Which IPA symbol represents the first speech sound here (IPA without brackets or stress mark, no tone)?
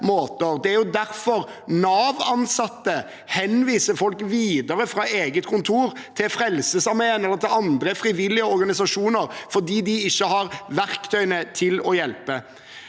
m